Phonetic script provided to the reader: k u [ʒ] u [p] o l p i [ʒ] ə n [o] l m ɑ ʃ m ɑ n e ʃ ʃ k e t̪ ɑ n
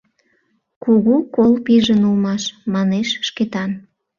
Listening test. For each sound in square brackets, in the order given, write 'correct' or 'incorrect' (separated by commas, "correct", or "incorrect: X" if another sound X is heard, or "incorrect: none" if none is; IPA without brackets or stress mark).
incorrect: ɣ, incorrect: k, correct, incorrect: u